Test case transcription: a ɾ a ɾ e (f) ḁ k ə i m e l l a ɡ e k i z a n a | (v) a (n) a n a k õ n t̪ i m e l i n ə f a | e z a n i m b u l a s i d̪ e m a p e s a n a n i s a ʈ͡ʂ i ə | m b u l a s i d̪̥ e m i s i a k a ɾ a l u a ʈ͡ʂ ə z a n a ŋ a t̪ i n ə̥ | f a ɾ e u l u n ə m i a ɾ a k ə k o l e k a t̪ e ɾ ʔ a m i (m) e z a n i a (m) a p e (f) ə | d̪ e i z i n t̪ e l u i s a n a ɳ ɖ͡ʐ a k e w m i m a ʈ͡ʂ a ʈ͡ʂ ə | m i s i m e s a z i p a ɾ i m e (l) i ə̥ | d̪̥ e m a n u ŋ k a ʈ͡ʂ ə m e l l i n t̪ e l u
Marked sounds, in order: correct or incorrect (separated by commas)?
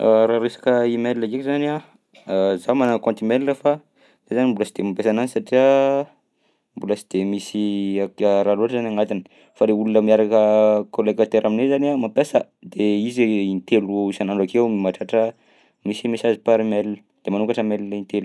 incorrect, incorrect, incorrect, incorrect, correct, incorrect, correct